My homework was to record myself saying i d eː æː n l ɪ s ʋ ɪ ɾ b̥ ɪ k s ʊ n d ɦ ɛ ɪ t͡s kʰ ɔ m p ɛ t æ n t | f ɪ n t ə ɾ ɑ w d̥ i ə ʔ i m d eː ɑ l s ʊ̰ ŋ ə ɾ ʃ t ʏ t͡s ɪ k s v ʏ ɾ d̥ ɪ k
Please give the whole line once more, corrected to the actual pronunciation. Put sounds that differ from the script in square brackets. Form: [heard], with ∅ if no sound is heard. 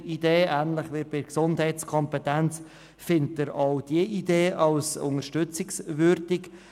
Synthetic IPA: i d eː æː n l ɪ [χ] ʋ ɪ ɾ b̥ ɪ k s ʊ n d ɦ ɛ ɪ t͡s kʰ ɔ m p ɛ t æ n [t͡s] | f ɪ n t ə ɾ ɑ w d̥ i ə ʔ i [∅] d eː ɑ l s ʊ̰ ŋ ə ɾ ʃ t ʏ t͡s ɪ k s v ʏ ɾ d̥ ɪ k